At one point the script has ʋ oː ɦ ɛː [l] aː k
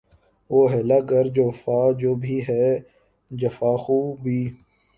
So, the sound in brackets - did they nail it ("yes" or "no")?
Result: yes